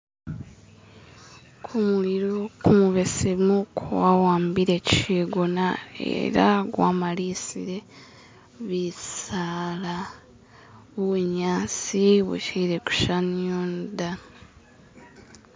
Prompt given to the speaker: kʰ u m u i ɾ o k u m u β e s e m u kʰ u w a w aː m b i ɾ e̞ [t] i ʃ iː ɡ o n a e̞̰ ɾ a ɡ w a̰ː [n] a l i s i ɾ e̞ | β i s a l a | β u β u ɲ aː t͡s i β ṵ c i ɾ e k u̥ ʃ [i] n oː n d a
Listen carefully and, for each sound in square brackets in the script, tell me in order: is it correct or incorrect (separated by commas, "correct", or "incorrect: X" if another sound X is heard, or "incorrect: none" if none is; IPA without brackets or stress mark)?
incorrect: c, incorrect: m, incorrect: a